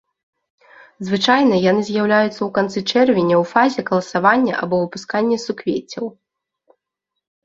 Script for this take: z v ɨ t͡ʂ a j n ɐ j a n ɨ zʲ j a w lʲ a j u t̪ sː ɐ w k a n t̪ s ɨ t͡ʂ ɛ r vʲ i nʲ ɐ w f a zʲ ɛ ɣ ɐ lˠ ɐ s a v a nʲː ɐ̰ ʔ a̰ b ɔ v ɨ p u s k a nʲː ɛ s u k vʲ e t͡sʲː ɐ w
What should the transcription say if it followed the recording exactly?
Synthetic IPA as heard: z v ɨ t͡ʂ a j n ɐ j a n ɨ zʲ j a w lʲ a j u t̪ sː ɐ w k a n t̪ s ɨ t͡ʂ ɛ r vʲ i nʲ ɐ w f a zʲ ɛ ɣ ɐ lˠ ɐ s a v a nʲː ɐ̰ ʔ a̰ b ɔ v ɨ p u s k a nʲː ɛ s u k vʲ e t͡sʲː ɐ w